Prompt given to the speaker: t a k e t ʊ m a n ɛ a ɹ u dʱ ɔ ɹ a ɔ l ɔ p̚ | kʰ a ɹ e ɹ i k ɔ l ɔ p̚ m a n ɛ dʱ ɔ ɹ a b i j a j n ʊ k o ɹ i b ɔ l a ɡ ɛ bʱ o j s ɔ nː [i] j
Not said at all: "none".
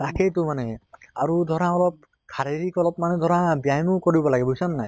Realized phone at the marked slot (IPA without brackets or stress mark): a